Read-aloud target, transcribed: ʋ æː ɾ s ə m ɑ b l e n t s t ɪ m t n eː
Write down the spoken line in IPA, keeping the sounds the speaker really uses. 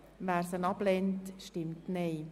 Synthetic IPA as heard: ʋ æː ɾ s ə n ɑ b l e n t ʃ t ɪ m t n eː